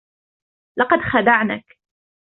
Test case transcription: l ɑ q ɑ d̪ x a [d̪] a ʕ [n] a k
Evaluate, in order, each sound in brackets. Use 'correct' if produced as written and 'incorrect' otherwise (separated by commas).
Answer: correct, correct